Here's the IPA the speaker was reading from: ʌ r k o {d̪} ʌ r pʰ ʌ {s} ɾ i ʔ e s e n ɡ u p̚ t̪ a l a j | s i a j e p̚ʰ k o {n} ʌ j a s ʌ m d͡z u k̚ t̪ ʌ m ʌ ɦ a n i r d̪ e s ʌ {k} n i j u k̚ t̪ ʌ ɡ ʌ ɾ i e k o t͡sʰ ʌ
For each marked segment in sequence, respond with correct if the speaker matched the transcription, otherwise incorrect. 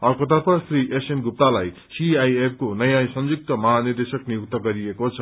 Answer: incorrect: t̪, correct, correct, correct

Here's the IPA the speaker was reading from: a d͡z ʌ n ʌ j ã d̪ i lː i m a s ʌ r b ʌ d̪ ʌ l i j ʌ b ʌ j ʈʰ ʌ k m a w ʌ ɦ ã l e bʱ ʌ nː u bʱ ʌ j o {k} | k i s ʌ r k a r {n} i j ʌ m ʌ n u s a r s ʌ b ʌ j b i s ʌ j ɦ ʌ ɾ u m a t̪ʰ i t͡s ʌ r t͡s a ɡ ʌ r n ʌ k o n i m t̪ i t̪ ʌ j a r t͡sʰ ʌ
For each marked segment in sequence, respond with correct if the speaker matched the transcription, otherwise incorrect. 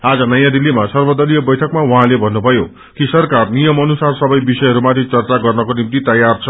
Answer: incorrect: none, correct

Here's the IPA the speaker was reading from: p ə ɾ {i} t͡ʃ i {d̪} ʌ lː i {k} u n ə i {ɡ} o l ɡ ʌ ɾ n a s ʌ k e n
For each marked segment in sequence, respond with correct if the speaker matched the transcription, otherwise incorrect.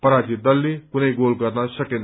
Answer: incorrect: a, correct, correct, correct

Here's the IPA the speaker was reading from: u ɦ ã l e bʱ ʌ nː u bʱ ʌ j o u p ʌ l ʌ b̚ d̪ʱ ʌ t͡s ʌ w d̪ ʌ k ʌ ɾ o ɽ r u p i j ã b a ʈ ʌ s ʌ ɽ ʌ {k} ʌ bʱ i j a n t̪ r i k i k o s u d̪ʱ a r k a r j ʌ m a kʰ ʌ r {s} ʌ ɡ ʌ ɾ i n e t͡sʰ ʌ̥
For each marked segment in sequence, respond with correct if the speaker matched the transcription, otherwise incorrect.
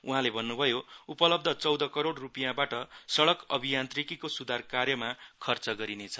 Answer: correct, incorrect: t͡s

